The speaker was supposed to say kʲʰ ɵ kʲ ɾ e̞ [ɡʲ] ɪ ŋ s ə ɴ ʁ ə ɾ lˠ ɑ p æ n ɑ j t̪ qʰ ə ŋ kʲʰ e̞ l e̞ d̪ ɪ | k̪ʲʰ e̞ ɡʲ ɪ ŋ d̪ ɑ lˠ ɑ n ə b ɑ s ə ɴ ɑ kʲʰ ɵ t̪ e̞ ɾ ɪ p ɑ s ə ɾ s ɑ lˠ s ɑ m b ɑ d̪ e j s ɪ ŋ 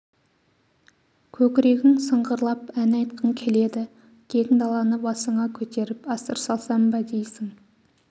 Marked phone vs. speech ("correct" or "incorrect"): correct